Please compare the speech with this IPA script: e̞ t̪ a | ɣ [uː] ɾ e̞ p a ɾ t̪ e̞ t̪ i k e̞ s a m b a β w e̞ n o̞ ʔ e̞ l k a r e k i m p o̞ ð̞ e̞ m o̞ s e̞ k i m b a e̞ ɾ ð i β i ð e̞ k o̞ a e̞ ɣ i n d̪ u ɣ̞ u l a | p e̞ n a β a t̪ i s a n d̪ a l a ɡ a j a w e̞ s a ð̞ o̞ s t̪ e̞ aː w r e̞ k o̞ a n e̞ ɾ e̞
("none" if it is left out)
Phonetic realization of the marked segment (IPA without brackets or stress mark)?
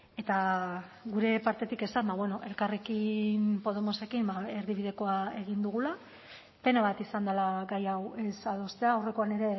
u